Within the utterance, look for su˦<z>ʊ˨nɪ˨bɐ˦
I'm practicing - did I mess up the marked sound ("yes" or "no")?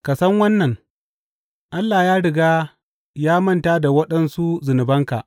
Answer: no